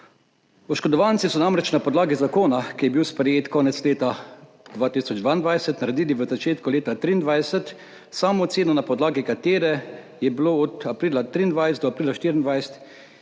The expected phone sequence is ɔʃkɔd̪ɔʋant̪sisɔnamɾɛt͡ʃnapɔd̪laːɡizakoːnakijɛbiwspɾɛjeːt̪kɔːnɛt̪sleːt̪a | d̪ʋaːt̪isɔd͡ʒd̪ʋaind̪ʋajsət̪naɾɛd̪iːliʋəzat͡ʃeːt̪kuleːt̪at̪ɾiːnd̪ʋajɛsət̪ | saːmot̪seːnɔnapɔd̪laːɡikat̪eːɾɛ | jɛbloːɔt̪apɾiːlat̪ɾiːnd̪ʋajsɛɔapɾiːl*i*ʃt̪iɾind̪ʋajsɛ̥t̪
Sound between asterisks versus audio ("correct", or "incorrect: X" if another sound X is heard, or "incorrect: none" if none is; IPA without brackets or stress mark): incorrect: a